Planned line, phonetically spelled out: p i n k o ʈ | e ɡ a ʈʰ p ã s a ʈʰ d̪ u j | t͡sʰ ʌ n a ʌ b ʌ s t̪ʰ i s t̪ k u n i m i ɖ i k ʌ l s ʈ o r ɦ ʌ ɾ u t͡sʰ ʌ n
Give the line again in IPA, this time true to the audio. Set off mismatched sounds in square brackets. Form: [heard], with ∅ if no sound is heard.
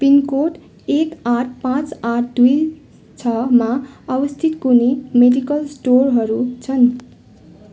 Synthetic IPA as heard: p i n k o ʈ | e [k] a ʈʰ p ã [t͡s] a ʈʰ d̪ u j | t͡sʰ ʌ [m] a ʌ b ʌ s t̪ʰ i [∅] t̪ k u n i m [e] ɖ i k ʌ l s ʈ o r ɦ ʌ ɾ u t͡sʰ ʌ n

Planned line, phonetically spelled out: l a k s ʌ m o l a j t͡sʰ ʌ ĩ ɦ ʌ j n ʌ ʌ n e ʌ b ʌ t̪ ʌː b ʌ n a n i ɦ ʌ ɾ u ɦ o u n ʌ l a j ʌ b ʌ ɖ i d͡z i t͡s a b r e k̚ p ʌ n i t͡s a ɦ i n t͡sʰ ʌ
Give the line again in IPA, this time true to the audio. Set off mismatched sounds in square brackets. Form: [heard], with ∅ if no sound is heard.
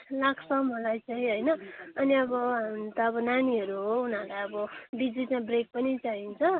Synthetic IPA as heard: l a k s ʌ m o l a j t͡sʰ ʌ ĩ ɦ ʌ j n ʌ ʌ n [i] ʌ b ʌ t̪ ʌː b ʌ n a n i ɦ ʌ ɾ u ɦ o u n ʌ l a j ʌ b ʌ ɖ i d͡z i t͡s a b r e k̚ p ʌ n i t͡s a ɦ i n t͡sʰ ʌ

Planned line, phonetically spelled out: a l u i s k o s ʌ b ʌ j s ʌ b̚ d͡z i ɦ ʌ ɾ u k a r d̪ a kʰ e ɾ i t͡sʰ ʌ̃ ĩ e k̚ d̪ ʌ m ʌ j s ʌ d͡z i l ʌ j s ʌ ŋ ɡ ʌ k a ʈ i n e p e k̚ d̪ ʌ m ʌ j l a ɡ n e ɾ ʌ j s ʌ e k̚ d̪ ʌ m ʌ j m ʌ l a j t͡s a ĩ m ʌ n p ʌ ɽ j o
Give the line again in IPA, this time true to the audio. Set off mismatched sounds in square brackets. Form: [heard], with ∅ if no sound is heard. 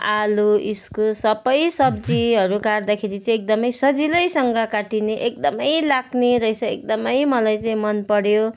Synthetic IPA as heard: a l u i s k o s ʌ b ʌ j s ʌ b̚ d͡z i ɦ ʌ ɾ u k a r d̪ a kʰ e ɾ i [t͡s] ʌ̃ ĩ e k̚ d̪ ʌ m ʌ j s ʌ d͡z i l ʌ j s ʌ ŋ ɡ ʌ k a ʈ i n e [ʔ] e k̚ d̪ ʌ m ʌ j l a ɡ n e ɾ ʌ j s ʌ e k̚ d̪ ʌ m ʌ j m ʌ l a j t͡s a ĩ m ʌ n p ʌ ɽ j o

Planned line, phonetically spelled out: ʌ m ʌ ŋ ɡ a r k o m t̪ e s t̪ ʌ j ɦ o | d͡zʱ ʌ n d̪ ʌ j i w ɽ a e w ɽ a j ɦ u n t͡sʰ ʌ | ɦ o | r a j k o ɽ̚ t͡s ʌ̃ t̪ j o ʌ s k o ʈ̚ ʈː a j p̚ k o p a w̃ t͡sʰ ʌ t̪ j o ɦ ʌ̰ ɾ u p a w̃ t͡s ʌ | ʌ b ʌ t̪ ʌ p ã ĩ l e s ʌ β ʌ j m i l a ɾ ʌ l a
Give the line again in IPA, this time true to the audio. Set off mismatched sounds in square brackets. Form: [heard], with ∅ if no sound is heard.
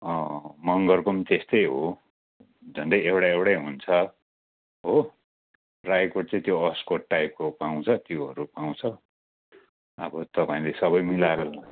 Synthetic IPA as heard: ʌ m ʌ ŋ ɡ [ʌ] r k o m t̪ e s t̪ ʌ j ɦ o | d͡zʱ ʌ n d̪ ʌ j [e] w ɽ a e w ɽ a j ɦ u n t͡sʰ ʌ | ɦ o | r a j k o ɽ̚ t͡s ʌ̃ t̪ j o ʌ s k o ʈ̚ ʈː a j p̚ k o p a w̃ t͡sʰ ʌ t̪ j o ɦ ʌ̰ ɾ u p a w̃ [t͡sʰ] ʌ | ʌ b ʌ t̪ ʌ p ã ĩ l e s ʌ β ʌ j m i l a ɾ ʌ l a

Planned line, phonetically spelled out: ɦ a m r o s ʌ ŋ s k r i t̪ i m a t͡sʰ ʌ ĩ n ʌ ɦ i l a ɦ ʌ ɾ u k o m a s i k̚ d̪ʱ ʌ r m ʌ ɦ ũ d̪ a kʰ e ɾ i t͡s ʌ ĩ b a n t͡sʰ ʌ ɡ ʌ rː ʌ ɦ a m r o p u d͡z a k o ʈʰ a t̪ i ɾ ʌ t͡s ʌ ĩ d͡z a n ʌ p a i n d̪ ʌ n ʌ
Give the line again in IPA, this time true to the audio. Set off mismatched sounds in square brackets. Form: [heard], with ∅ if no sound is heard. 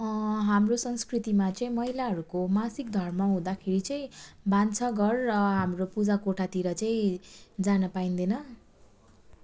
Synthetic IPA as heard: ɦ a m r o s ʌ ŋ s k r i t̪ i m a [t͡s] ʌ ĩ [m] ʌ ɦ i l a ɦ ʌ ɾ u k o m a s i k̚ d̪ʱ ʌ r m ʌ ɦ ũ d̪ a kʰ e ɾ i t͡s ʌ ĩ b a n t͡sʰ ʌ ɡ ʌ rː ʌ ɦ a m r o p u d͡z a k o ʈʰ a t̪ i ɾ ʌ t͡s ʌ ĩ d͡z a n ʌ p a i n d̪ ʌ n ʌ

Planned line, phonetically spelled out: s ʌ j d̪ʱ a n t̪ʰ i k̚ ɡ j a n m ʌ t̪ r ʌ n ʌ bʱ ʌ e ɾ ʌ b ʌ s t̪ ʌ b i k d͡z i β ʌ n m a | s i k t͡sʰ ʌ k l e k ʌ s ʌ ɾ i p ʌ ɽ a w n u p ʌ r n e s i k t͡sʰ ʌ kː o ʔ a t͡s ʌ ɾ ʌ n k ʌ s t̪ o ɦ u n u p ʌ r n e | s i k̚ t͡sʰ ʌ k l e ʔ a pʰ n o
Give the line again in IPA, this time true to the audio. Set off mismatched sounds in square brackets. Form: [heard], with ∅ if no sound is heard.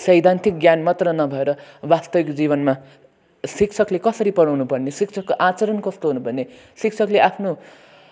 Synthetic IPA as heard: s ʌ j d̪ʱ a n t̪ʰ i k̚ ɡ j a n m ʌ t̪ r ʌ n ʌ bʱ ʌ e ɾ ʌ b [a] s t̪ ʌ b i k d͡z i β ʌ n m a | s i k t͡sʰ ʌ k l e k ʌ s ʌ ɾ i p ʌ ɽ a w n u p ʌ r n e s i k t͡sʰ ʌ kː o ʔ a t͡s ʌ ɾ ʌ n k ʌ s t̪ o ɦ u n u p ʌ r n e | s i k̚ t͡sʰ ʌ k l e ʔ a pʰ n o

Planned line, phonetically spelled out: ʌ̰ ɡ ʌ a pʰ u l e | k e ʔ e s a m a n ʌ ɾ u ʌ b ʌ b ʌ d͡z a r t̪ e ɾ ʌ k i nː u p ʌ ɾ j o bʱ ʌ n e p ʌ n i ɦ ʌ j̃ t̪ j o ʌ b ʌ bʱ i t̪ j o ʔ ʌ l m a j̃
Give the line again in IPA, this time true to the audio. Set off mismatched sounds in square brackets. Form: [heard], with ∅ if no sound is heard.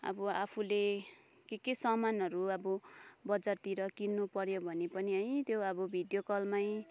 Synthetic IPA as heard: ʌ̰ [b] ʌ a pʰ u l e | k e [k] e s [ʌ] m a n ʌ ɾ u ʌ b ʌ b ʌ d͡z a r t̪ [i] ɾ ʌ k i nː u p ʌ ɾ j o bʱ ʌ n e p ʌ n i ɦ ʌ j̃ t̪ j o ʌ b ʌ bʱ i [d̪] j o [k] ʌ l m a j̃

